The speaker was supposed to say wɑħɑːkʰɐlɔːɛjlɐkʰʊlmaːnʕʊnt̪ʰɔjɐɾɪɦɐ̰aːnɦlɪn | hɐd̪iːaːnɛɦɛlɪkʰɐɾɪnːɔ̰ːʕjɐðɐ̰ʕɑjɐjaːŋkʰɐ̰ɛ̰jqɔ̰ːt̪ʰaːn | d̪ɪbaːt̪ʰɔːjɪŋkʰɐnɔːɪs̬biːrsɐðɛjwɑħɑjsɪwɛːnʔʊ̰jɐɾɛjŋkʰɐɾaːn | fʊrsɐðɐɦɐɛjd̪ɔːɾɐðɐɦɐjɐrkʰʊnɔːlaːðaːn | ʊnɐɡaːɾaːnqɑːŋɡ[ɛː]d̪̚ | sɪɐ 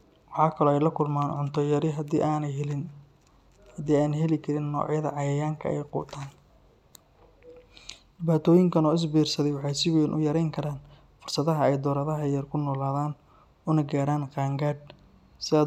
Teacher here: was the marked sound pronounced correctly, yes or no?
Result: no